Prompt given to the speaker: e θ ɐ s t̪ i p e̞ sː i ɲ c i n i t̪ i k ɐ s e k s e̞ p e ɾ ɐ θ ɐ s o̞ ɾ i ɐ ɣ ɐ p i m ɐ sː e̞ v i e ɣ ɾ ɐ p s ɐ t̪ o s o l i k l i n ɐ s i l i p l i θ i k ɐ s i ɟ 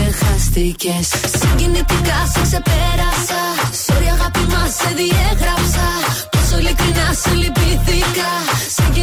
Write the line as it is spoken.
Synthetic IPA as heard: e x ɐ s t̪ i c e̞ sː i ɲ ɟ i n i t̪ i k ɐ s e k s e̞ p e ɾ ɐ s ɐ s o̞ ɾ i ɐ ɣ ɐ p i m ɐ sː e̞ ð i e ɣ ɾ ɐ p s ɐ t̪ o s o l i k ɾ i n ɐ s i l i p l i θ i k ɐ s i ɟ